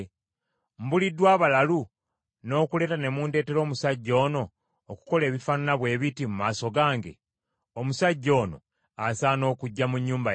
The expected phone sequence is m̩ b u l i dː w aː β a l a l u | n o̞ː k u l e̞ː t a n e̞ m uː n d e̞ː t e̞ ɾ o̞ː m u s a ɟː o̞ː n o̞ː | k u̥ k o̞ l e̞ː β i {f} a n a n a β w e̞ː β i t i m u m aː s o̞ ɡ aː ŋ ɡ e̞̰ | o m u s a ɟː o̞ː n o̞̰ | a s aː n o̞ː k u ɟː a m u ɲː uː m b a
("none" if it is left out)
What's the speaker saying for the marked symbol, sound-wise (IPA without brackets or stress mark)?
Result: f